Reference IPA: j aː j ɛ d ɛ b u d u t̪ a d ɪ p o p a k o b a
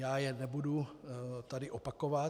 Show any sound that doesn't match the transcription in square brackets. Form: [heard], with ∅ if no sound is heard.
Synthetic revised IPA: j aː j ɛ [n] ɛ b u d u t̪ a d ɪ [ʔ] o p a k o [v] a

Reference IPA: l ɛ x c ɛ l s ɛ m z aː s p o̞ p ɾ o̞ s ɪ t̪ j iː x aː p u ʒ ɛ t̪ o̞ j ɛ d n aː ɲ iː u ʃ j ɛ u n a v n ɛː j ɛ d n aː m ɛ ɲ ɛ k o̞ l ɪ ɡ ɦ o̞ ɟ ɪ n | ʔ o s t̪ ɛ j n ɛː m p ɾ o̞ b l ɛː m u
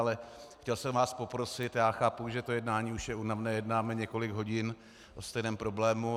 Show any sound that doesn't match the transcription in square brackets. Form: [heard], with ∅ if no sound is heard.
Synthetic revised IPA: l ɛ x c ɛ l s ɛ m [v] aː s p o̞ p ɾ o̞ s ɪ t̪ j [aː] x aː p u ʒ ɛ t̪ o̞ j ɛ d n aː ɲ iː u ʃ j ɛ u n a v n ɛː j ɛ d n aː m ɛ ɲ ɛ k o̞ l ɪ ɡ ɦ o̞ ɟ ɪ n | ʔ o s t̪ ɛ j n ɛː m p ɾ o̞ b l ɛː m u

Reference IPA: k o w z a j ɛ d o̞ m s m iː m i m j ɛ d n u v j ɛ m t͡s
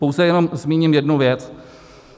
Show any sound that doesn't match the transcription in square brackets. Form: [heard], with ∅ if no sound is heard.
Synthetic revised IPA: [p] o w z [ɛ] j ɛ [n] o̞ m [z] m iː [ɲ] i m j ɛ d n u v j ɛ [∅] t͡s

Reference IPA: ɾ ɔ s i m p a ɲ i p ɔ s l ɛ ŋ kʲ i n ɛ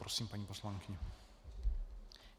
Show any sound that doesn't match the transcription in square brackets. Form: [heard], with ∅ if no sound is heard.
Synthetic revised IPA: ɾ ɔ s i m p a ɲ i p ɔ s l [a] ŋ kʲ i [ɲ] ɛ

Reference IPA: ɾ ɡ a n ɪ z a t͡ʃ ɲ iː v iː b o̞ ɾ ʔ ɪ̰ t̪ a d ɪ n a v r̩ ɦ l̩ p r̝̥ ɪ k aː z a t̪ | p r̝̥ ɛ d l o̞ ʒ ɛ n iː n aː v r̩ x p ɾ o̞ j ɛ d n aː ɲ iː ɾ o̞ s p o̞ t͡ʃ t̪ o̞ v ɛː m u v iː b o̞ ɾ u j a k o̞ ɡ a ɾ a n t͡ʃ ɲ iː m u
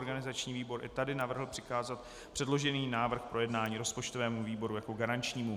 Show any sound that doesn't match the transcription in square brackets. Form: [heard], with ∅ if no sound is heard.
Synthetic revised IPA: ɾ ɡ a n ɪ z a t͡ʃ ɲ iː v iː b o̞ ɾ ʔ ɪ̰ t̪ a d ɪ n a v r̩ ɦ l̩ p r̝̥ ɪ k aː z a t̪ | p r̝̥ ɛ d l o̞ ʒ ɛ n iː n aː v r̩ x p ɾ o̞ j ɛ d n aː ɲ iː ɾ o̞ s p o̞ t͡ʃ t̪ o̞ v ɛː m u v iː b o̞ ɾ u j a k o̞ ɡ a ɾ a n t͡ʃ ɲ iː m u

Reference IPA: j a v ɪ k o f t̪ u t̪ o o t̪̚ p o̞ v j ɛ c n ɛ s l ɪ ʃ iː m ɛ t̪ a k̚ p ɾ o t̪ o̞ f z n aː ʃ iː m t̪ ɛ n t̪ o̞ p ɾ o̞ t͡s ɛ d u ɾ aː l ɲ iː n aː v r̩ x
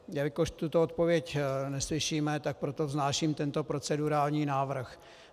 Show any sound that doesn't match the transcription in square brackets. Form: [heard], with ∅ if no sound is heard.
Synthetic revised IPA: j a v ɪ k o [ʃ] t̪ u t̪ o o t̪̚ p o̞ v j ɛ c n ɛ s l ɪ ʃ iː m ɛ t̪ a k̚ p ɾ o t̪ o̞ [v] z n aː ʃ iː m t̪ ɛ n t̪ o̞ p ɾ o̞ t͡s ɛ d u ɾ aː l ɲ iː n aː v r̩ x

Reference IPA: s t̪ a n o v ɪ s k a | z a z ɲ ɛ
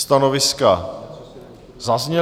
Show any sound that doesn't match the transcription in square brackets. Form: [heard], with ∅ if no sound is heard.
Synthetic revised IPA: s t̪ a n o v ɪ s k a | z a z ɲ ɛ

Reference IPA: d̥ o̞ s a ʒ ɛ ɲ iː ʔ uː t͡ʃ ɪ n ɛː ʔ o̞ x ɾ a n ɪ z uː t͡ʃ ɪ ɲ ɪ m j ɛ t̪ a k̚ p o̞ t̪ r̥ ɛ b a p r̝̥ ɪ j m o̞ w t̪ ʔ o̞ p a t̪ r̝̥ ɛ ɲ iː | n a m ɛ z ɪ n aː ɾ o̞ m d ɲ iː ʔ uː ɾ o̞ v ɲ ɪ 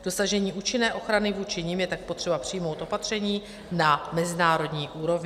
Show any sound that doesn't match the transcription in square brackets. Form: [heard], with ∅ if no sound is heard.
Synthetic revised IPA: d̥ o̞ s a ʒ ɛ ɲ iː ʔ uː t͡ʃ ɪ n ɛː ʔ o̞ x ɾ a n ɪ [v] uː t͡ʃ ɪ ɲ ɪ m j ɛ t̪ a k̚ p o̞ t̪ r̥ ɛ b a p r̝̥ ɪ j m o̞ w t̪ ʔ o̞ p a t̪ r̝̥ ɛ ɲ iː | n a m ɛ z ɪ n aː ɾ o̞ [∅] d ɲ iː ʔ uː ɾ o̞ v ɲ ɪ

